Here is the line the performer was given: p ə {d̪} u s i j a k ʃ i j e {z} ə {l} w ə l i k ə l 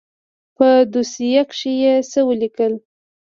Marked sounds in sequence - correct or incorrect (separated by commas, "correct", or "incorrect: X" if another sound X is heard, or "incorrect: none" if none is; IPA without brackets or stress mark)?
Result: correct, incorrect: s, incorrect: none